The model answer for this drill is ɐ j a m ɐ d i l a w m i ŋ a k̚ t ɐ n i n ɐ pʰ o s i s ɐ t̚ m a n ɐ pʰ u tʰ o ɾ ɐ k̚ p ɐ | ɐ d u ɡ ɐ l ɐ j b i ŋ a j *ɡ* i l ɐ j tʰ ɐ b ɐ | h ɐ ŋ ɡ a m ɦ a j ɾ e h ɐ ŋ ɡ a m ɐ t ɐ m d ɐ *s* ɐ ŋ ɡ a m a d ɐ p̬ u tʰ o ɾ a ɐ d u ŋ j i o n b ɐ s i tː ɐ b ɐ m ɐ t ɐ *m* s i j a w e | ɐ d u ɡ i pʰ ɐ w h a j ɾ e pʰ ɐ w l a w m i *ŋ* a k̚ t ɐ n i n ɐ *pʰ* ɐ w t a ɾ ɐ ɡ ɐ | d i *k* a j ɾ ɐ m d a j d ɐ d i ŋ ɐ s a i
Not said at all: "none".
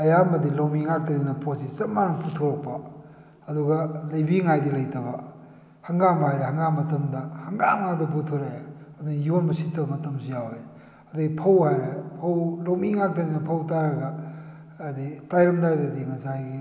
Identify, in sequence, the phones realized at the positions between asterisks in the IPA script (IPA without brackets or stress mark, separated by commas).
d, h, m, ŋ, pʰ, t